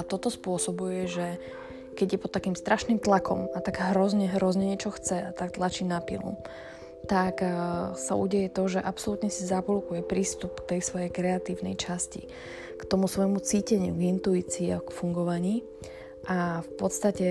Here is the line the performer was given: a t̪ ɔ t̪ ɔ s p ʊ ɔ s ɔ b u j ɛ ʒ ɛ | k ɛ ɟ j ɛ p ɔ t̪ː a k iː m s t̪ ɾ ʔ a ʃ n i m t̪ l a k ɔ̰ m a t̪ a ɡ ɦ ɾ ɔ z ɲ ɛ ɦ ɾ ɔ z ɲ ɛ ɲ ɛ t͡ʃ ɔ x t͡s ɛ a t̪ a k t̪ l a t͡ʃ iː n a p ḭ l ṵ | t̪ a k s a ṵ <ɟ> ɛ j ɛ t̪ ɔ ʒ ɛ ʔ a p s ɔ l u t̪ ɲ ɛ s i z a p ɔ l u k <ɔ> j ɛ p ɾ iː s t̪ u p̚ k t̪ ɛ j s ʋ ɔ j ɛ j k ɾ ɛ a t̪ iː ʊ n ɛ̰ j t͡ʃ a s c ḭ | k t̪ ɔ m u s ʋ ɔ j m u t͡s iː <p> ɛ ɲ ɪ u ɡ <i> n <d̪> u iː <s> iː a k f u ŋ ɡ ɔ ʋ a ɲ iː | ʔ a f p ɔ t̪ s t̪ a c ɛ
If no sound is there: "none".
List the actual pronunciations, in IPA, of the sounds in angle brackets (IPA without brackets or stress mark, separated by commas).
ɟ, u, c, i, t̪, t͡s